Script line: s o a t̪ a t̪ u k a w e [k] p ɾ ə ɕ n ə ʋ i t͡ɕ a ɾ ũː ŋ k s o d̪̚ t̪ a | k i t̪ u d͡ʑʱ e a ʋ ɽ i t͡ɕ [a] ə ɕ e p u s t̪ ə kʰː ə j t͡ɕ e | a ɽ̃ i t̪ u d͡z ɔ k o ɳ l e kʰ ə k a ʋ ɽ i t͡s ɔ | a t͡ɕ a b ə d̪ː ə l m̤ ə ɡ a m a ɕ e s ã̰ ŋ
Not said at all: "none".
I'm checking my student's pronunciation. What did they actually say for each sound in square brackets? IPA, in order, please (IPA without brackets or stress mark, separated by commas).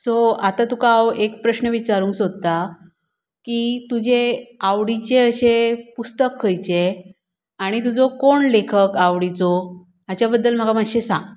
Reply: k, e